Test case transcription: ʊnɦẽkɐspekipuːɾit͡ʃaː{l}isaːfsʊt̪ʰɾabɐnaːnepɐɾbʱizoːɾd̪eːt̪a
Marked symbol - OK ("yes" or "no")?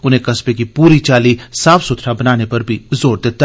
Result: yes